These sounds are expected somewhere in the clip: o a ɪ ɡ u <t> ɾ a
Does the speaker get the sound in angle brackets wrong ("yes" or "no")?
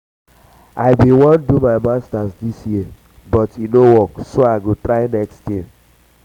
no